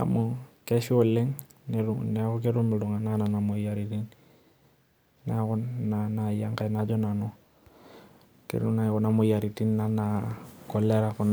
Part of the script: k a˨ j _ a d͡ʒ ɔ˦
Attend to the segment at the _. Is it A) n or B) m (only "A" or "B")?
A